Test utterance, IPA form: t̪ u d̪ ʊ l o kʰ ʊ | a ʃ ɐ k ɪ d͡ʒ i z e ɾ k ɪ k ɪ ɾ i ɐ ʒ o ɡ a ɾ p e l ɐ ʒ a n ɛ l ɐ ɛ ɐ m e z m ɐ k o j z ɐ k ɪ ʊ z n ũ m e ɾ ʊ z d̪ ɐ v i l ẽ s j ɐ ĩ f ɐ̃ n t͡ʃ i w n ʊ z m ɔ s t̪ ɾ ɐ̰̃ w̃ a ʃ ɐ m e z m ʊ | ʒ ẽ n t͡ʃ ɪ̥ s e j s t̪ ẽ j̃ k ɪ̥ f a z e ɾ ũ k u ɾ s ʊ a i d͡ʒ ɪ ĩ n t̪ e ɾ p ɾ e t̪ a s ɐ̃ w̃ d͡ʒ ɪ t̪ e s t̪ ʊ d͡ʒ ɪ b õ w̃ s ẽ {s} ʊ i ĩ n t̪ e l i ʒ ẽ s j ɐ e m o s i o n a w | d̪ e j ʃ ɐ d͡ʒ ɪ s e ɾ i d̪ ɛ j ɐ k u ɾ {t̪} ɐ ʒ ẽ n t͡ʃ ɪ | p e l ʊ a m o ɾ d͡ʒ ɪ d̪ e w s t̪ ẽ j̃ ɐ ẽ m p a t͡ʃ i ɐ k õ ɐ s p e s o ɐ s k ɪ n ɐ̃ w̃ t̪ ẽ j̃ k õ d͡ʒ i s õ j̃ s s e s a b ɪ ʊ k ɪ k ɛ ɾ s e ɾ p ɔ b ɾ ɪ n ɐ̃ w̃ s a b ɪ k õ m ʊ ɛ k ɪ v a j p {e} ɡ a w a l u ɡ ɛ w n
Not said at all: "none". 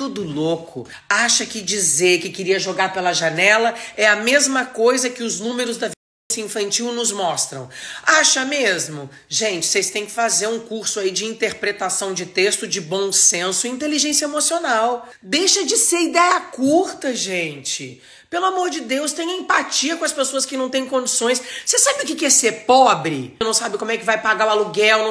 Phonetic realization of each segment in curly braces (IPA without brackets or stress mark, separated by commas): s, t̪, a